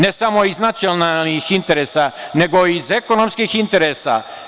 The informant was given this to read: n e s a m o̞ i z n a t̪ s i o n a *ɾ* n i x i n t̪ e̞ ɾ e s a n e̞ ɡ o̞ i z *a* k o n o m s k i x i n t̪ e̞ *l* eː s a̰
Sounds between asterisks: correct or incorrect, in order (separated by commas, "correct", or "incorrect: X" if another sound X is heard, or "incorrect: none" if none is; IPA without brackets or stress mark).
incorrect: l, incorrect: e, incorrect: ɾ